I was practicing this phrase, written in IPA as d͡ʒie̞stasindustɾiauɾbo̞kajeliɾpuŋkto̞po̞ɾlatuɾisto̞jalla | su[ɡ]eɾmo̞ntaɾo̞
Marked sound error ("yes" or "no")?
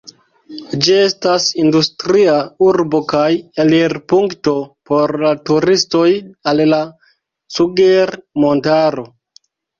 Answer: no